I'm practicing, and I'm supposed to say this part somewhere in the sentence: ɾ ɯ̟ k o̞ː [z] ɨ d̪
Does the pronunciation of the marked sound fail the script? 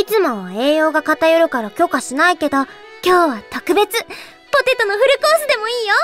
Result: yes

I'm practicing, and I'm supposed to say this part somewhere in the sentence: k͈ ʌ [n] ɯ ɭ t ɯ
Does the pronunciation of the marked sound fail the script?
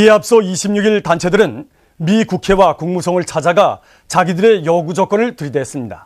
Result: no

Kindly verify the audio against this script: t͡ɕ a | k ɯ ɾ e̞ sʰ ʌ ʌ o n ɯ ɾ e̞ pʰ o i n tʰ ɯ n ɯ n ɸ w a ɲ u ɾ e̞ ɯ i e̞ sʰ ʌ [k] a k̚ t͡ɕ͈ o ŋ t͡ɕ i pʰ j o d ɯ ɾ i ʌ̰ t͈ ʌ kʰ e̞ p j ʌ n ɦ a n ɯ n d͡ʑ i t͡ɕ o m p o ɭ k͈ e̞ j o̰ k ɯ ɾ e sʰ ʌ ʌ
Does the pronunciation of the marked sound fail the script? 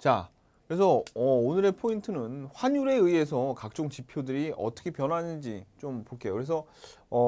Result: no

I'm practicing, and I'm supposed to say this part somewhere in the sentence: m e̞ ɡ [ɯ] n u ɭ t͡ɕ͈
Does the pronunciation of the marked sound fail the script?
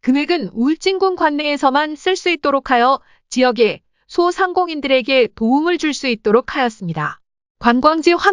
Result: no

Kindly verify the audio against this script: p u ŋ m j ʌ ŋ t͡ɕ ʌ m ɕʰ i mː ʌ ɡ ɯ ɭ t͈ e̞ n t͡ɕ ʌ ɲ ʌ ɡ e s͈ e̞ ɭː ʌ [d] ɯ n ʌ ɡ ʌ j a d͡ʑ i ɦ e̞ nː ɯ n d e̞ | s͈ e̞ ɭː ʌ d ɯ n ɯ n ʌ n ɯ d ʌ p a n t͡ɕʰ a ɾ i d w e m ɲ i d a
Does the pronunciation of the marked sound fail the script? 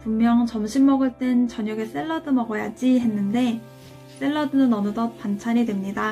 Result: no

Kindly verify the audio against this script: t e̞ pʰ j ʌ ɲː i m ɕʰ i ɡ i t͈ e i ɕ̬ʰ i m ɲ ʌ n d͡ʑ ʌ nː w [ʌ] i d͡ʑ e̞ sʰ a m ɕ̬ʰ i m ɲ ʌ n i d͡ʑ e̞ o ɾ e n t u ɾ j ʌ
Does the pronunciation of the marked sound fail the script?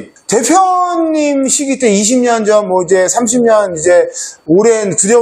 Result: no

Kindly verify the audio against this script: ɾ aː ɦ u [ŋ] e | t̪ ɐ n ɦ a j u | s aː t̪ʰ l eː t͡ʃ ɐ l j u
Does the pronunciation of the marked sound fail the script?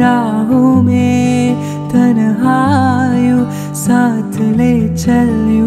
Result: yes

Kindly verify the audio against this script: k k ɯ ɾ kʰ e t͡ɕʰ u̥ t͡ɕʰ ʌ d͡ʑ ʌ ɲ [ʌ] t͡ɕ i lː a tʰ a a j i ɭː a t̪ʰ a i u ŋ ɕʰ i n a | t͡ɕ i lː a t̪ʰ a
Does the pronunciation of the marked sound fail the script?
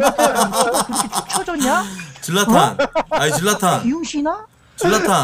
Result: yes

